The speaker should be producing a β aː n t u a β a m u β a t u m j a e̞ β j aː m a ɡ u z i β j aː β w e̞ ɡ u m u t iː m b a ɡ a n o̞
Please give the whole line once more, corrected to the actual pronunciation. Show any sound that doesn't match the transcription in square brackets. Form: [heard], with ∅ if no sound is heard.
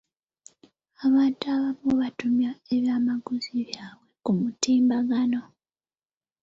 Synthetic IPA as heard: a β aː n t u a β a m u β a t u m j a e̞ β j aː m a ɡ u z i β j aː β w e̞ [k] u m u t iː m b a ɡ a n o̞